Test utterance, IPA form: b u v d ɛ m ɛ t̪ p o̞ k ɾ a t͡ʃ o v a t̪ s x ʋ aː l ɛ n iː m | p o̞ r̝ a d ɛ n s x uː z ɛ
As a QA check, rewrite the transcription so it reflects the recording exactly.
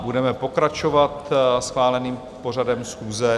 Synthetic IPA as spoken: b u d ɛ m ɛ p o̞ k ɾ a t͡ʃ o v a t̪ s x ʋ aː l ɛ n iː m | p o̞ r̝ a d ɛ m s x uː z ɛ